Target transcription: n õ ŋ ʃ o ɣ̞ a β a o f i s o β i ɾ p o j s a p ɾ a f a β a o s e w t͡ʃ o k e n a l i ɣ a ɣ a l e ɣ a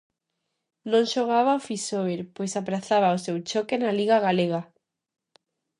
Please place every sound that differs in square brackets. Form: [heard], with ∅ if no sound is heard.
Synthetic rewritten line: n õ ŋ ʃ o ɣ̞ a β a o f i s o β [e] ɾ p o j s a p ɾ a [θ] a β a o s e w t͡ʃ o k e n a l i ɣ a ɣ a l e ɣ a